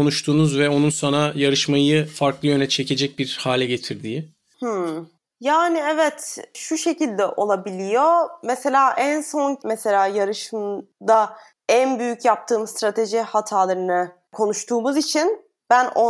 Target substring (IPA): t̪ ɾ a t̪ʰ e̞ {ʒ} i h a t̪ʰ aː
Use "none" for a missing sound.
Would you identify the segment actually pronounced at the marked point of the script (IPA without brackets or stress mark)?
ʒ